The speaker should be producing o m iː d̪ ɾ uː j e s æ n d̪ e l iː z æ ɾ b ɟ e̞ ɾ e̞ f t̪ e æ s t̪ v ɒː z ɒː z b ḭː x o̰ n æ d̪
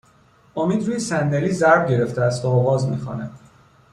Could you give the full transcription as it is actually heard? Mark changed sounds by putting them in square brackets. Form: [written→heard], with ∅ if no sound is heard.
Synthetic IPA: o m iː d̪ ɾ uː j e s æ n d̪ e l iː z æ ɾ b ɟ e̞ ɾ e̞ f t̪ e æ s t̪ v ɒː [z→ɣ] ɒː z [b→m] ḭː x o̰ n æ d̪

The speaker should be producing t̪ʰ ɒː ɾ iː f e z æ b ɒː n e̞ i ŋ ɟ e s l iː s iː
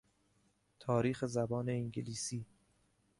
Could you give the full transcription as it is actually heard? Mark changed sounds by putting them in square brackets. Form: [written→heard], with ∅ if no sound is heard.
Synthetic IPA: t̪ʰ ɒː ɾ iː [f→x] e z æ b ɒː n e̞ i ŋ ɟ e [s→∅] l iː s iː

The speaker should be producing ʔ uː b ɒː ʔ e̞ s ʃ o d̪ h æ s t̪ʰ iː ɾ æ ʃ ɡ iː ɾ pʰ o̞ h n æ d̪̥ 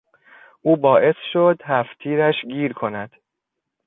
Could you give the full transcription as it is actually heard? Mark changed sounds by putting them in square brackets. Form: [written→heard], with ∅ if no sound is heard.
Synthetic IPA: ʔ uː b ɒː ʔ e̞ s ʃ o d̪ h æ [s→f] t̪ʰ iː ɾ æ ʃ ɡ iː ɾ [pʰ→kʰ] o̞ [h→∅] n æ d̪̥

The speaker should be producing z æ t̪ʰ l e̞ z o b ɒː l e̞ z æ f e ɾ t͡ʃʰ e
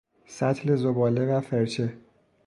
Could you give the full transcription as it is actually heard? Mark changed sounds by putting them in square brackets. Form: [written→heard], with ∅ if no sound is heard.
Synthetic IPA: [z→s] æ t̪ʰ l e̞ z o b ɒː l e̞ [z→v] æ f e ɾ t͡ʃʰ e

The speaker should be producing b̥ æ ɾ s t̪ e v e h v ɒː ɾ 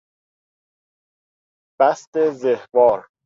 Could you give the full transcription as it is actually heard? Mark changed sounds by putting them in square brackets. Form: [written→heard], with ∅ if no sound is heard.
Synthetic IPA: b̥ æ [ɾ→∅] s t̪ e [v→z] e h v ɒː ɾ

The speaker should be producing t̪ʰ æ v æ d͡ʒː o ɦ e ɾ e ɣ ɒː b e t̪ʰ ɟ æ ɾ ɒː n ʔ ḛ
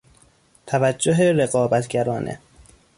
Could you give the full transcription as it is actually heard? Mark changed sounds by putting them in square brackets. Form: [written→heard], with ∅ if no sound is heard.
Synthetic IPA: t̪ʰ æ v æ d͡ʒː o ɦ e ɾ e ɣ ɒː b [e→æ] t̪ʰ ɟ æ ɾ ɒː n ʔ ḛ

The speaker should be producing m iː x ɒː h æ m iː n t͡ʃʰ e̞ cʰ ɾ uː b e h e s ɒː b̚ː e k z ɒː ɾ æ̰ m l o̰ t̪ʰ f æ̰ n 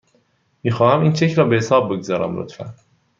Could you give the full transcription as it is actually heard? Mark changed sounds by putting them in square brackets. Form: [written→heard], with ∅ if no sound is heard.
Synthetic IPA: m iː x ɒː h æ m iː n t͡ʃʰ e̞ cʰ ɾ [uː→ɒː] b e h e s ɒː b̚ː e [k→ɡ] z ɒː ɾ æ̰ m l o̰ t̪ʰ f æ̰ n

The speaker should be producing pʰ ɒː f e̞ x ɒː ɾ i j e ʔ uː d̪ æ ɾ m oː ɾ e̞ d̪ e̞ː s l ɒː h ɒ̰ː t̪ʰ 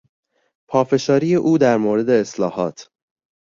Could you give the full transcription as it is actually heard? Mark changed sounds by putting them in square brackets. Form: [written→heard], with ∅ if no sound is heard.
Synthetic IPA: pʰ ɒː f e̞ [x→ʃ] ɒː ɾ i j e ʔ uː d̪ æ ɾ m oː ɾ e̞ d̪ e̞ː s l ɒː h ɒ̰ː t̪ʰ

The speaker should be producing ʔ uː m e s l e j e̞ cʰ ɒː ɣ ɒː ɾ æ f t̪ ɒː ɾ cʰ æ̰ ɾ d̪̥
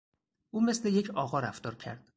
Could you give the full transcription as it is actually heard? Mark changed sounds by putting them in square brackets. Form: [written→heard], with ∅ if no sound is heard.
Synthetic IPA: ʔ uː m e s l e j e̞ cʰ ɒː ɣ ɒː ɾ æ f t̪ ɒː ɾ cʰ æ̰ ɾ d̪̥

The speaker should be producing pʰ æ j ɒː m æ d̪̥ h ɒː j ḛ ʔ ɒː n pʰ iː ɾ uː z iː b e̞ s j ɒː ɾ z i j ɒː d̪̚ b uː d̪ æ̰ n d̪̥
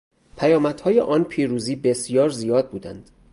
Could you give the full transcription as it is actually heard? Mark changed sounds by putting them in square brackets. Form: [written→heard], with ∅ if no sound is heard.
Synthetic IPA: pʰ æ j ɒː m æ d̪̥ h ɒː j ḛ ʔ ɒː n pʰ iː ɾ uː z iː b e̞ s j ɒː ɾ z i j ɒː d̪̚ b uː d̪ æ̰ n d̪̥

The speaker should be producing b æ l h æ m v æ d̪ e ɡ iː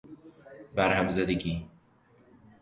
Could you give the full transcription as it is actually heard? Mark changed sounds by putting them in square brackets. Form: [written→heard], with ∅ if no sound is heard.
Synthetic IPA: b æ [l→ɾ] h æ m [v→z] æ d̪ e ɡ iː

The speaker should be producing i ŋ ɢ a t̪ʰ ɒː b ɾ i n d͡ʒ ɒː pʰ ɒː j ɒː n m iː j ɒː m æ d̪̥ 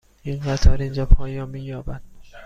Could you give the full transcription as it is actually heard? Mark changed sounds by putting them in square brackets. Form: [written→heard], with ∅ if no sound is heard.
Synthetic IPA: i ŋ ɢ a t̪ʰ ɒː [b→∅] ɾ i n d͡ʒ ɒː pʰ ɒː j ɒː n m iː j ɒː [m→b] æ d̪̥

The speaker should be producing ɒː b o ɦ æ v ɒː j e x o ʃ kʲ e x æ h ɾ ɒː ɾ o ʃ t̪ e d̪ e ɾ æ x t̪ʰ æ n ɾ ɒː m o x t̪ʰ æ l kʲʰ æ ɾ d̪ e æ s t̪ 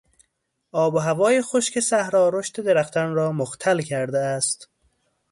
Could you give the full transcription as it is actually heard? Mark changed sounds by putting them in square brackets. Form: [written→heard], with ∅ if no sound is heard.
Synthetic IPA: ɒː b o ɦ æ v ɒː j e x o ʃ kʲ e [x→s] æ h ɾ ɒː ɾ o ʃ t̪ e d̪ e ɾ æ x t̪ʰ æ n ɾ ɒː m o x t̪ʰ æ l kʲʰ æ ɾ d̪ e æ s t̪

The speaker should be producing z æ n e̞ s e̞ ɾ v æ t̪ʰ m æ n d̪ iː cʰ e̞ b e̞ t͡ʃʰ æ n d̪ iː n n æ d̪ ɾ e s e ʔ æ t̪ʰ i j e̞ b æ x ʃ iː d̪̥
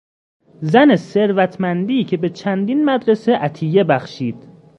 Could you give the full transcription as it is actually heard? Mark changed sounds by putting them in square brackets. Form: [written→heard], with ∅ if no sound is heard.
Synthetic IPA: z æ n e̞ s e̞ ɾ v æ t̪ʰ m æ n d̪ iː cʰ e̞ b e̞ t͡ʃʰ æ n d̪ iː n [n→m] æ d̪ ɾ e s e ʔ æ t̪ʰ i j e̞ b æ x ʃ iː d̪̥

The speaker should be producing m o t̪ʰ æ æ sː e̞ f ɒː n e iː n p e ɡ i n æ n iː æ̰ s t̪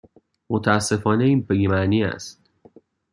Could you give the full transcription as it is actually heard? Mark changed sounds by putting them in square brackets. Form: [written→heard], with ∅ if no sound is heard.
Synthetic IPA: m o t̪ʰ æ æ sː e̞ f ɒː n e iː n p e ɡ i [n→m] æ n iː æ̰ s t̪

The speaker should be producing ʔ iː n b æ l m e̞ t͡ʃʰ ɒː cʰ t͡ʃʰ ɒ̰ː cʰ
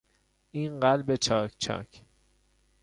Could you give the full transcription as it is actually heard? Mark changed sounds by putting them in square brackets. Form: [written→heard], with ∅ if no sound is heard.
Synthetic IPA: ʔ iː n [b→ɢ] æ l [m→b] e̞ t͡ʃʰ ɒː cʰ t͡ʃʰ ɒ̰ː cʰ

